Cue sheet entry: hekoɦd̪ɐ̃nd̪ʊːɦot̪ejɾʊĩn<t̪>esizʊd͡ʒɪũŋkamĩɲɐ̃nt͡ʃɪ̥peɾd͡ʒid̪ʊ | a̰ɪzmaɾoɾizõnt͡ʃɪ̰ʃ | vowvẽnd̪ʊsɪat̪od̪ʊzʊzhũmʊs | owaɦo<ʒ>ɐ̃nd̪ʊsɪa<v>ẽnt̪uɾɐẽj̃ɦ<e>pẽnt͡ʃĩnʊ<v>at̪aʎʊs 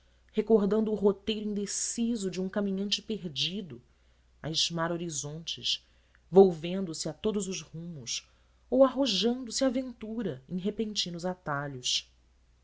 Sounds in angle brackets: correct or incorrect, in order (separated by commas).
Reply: incorrect, correct, correct, correct, incorrect